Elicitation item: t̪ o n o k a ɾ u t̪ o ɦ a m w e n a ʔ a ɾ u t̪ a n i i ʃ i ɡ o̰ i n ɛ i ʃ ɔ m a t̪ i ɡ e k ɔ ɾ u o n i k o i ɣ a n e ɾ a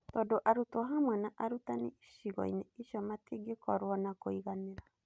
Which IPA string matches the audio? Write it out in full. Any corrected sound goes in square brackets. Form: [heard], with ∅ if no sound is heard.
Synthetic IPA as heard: t̪ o [d] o [ʔ] a ɾ u t̪ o ɦ a m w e n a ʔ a ɾ u t̪ a n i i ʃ i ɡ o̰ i n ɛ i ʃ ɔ m a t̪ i ɡ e k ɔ ɾ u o n [a] k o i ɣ a n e ɾ a